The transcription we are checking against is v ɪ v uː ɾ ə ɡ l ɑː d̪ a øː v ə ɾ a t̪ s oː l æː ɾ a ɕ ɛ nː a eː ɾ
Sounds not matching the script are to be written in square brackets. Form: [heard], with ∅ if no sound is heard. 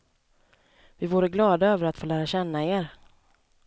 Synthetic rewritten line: v ɪ v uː ɾ ə ɡ l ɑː d̪ a øː v ə ɾ a t̪ [f] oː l æː ɾ a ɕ ɛ nː a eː ɾ